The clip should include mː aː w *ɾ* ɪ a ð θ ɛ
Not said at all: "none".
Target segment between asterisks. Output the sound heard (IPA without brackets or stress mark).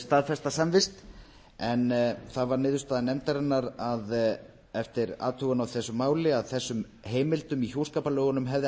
l